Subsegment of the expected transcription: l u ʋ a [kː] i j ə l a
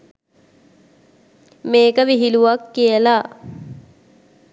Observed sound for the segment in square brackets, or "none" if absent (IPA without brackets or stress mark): kː